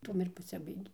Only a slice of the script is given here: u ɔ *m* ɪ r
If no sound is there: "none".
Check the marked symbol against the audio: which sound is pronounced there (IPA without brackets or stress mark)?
m